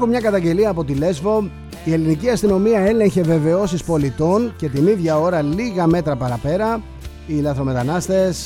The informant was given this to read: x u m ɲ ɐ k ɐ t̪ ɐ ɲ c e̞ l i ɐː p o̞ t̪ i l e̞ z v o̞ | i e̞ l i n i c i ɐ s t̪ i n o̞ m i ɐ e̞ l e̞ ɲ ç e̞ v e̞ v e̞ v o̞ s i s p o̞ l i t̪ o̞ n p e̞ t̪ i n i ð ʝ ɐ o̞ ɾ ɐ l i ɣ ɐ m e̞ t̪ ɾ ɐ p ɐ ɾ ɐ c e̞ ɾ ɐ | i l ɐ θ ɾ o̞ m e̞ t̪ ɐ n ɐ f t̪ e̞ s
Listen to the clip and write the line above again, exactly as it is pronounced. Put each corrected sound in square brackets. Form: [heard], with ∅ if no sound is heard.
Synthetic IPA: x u m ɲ ɐ k ɐ t̪ ɐ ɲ [ɟ] e̞ l i ɐː p o̞ t̪ i l e̞ z v o̞ | i e̞ l i n i c i ɐ s t̪ i n o̞ m i ɐ e̞ l e̞ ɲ ç e̞ v e̞ v e̞ [∅] o̞ s i s p o̞ l i t̪ o̞ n [c] e̞ t̪ i n i ð ʝ ɐ o̞ ɾ ɐ l i ɣ ɐ m e̞ t̪ ɾ ɐ p ɐ ɾ ɐ [p] e̞ ɾ ɐ | i l ɐ θ ɾ o̞ m e̞ t̪ ɐ n ɐ [s] t̪ e̞ s